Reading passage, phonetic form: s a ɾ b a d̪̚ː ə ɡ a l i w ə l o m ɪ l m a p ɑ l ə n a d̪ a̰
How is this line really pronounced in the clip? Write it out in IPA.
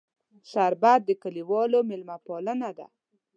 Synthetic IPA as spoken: s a ɾ b a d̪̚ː ə k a l i w ɑ l o m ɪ l m a p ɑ l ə n a d̪ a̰